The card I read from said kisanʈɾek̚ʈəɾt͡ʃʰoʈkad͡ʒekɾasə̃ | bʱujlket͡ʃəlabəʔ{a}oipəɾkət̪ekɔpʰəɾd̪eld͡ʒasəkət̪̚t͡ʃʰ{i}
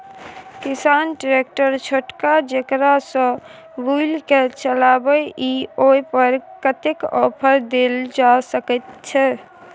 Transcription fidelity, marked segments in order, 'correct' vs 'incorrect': incorrect: i, incorrect: ɛ

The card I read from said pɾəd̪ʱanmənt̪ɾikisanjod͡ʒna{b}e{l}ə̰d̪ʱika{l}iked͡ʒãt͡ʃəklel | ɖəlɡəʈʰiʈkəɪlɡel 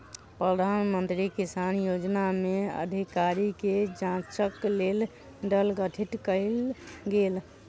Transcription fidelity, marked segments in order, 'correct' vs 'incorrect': incorrect: m, incorrect: none, incorrect: ɾ

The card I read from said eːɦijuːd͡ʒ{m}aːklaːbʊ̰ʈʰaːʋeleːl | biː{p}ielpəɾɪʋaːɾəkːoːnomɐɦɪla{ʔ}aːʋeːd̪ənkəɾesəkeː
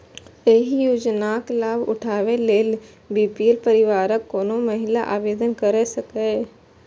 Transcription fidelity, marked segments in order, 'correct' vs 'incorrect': incorrect: n, correct, correct

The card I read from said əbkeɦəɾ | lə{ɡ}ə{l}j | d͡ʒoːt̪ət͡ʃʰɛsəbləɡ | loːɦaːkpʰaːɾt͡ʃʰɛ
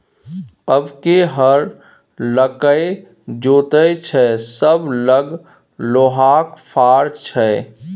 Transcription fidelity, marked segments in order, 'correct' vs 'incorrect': incorrect: k, incorrect: none

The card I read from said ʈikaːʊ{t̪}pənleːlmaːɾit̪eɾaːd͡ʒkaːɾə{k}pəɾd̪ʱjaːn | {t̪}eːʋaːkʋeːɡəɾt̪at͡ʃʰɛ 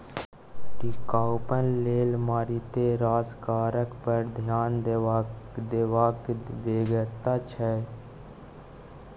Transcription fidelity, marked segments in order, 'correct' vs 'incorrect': incorrect: none, correct, incorrect: d̪

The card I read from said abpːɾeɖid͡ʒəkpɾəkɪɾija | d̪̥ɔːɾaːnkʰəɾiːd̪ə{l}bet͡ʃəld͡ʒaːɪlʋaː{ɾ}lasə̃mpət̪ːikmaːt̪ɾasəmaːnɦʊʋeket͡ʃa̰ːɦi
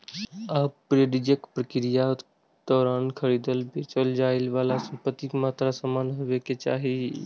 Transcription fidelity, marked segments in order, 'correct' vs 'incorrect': correct, incorrect: none

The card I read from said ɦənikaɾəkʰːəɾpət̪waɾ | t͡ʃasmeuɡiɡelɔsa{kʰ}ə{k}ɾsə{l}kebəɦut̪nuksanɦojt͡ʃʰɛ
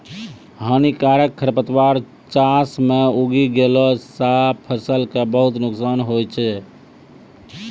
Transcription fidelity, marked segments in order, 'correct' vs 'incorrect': incorrect: pʰ, incorrect: none, correct

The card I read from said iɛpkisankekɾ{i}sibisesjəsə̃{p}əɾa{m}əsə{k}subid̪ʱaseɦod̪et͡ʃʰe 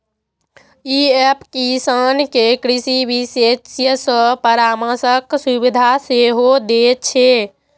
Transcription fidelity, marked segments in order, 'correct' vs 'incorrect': correct, correct, correct, correct

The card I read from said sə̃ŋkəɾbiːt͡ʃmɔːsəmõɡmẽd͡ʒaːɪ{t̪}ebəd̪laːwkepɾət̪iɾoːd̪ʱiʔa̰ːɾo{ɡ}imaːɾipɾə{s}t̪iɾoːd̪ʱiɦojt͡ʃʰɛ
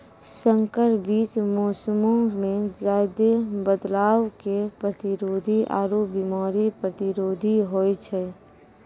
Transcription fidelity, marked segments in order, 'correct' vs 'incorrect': incorrect: d̪, incorrect: b, incorrect: none

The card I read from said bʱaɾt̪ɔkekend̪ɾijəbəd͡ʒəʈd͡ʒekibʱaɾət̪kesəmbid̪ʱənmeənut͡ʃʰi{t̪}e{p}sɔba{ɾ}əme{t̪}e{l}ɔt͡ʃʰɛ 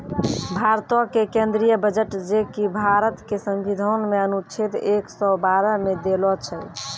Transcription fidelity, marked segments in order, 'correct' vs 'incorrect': correct, incorrect: k, correct, incorrect: d̪, correct

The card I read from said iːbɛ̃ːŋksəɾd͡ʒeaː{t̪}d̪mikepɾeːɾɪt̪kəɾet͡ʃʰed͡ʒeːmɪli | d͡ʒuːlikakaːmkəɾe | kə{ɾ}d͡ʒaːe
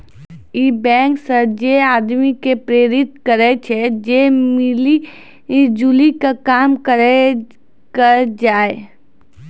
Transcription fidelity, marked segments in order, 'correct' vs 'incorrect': incorrect: none, correct

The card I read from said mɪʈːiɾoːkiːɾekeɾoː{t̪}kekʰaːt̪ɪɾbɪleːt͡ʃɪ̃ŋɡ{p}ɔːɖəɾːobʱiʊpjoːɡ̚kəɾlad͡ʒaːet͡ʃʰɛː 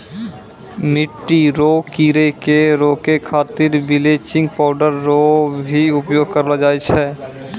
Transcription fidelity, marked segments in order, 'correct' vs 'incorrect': incorrect: none, correct

